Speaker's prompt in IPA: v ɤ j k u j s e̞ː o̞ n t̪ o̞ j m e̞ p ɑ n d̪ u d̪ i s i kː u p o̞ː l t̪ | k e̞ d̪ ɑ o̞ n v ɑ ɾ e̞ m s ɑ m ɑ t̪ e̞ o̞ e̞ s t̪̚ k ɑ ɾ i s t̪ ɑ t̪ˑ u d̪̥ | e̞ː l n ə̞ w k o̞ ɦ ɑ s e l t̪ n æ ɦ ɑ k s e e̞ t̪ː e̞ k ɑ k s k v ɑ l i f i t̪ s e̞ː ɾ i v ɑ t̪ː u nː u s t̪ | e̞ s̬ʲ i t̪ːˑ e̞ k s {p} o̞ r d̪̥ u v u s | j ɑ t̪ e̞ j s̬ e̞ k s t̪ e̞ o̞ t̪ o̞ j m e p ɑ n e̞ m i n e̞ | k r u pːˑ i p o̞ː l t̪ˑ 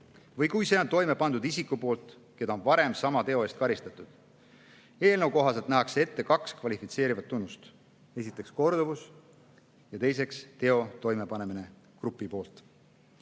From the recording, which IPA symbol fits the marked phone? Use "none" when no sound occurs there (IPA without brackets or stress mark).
k